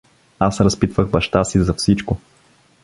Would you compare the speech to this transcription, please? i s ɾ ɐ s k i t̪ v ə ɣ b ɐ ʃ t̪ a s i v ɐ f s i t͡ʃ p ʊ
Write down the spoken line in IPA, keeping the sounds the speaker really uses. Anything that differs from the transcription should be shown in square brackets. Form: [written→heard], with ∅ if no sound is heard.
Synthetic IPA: [i→a] s ɾ ɐ s [k→p] i t̪ v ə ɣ b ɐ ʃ t̪ a s i [v→z] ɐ f s i t͡ʃ [p→k] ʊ